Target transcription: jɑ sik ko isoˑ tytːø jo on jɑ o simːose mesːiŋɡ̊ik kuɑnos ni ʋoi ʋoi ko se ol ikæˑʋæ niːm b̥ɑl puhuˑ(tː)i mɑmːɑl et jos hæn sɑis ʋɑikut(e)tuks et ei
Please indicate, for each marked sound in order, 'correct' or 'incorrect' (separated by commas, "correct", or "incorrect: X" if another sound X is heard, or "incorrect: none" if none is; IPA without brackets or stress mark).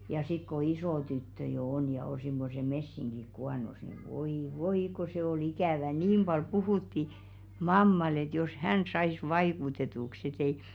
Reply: correct, correct